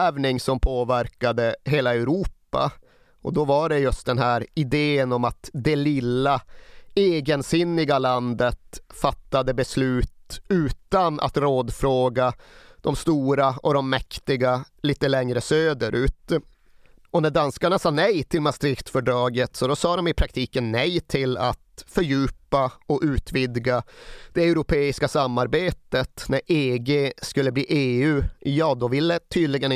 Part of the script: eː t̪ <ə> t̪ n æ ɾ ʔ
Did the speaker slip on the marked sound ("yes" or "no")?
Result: no